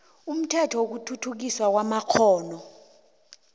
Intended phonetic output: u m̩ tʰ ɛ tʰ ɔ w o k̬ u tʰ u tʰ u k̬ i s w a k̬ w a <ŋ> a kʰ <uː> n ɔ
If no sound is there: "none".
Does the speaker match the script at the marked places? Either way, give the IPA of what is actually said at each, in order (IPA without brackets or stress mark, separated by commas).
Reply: m, ɔː